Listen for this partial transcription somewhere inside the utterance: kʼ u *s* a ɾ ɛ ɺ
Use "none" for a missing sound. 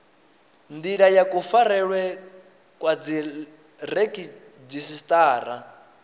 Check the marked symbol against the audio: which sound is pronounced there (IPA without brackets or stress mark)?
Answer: f